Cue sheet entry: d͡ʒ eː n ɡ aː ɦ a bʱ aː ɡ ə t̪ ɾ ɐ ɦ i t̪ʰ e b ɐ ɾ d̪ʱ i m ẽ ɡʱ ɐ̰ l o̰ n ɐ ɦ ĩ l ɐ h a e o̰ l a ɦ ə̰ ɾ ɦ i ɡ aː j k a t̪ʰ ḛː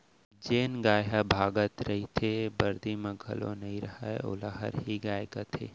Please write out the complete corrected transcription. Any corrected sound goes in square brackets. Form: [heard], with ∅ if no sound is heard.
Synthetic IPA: d͡ʒ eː n ɡ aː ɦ a bʱ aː ɡ ə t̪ ɾ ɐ ɦ i t̪ʰ e b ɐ ɾ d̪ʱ i m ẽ ɡʱ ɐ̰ l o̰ n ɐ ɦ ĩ [ɾ] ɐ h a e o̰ l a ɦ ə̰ ɾ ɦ i ɡ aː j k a t̪ʰ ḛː